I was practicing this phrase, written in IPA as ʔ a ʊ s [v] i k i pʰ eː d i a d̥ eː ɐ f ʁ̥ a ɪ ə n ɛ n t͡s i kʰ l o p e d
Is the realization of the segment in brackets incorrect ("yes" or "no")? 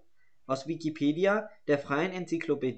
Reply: no